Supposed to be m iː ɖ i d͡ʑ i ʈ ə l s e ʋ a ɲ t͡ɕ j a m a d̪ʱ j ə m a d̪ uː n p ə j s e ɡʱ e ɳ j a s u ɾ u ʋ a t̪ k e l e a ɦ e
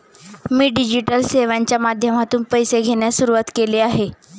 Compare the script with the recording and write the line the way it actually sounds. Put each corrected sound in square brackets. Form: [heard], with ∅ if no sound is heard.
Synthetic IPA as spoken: m iː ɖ i d͡ʑ i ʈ ə l s e ʋ a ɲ t͡ɕ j a m a d̪ʱ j ə m a [t̪] uː n p ə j s e ɡʱ e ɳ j a s u ɾ u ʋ a t̪ k e l e a ɦ e